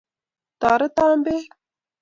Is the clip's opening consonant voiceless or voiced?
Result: voiceless